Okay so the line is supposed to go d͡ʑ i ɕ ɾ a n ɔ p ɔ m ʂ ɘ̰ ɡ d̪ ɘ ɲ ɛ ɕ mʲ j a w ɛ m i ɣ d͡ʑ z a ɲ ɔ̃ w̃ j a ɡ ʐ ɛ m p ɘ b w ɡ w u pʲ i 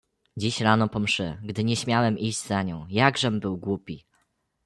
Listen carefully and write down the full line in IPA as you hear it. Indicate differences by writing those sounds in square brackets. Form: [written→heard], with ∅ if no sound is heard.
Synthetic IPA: d͡ʑ i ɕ ɾ a n ɔ p ɔ m ʂ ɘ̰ ɡ d̪ ɘ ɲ ɛ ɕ mʲ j a w ɛ m i [ɣ→ʑ] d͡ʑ z a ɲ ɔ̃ w̃ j a ɡ ʐ ɛ m [p→b] ɘ [b→∅] w ɡ w u pʲ i